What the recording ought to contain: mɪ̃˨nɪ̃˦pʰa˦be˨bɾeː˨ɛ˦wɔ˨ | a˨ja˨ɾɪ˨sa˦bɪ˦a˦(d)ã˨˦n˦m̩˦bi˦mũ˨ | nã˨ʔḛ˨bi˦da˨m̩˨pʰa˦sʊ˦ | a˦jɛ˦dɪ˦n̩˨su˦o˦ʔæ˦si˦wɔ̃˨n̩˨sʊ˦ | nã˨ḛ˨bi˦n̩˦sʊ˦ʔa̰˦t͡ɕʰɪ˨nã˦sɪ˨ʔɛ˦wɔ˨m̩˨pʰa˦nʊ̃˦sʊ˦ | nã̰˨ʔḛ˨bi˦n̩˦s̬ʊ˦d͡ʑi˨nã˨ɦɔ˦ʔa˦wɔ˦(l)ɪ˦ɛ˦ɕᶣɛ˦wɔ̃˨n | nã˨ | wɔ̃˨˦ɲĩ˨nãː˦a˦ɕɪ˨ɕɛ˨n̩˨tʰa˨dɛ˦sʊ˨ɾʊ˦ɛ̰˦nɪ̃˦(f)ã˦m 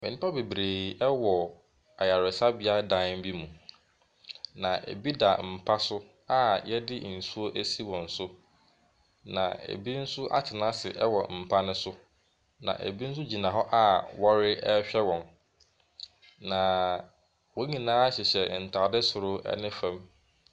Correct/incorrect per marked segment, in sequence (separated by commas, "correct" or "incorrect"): correct, incorrect, correct